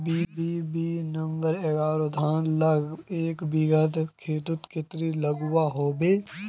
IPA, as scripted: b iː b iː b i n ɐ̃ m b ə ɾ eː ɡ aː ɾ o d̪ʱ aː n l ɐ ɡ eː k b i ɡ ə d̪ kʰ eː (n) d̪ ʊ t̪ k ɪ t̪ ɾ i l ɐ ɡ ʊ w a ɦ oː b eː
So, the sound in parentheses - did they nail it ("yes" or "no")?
no